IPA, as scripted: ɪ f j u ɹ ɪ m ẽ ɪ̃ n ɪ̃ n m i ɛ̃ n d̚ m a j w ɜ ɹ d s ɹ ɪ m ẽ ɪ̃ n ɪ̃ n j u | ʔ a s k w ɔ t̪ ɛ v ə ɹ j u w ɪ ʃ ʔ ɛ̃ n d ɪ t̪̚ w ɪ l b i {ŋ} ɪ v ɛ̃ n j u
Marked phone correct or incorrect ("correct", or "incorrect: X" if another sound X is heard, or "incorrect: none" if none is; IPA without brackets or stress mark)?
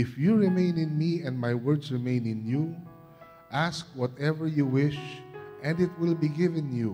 incorrect: ɡ